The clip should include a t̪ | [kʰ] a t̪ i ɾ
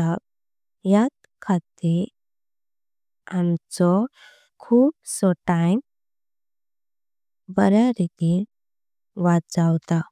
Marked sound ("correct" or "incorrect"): correct